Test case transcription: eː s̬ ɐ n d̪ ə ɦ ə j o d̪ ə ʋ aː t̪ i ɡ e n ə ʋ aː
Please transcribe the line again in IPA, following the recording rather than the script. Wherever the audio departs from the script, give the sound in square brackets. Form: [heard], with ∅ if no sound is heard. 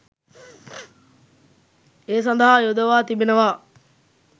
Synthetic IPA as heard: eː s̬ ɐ n d̪ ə ɦ [a] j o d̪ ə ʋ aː t̪ i [b] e n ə ʋ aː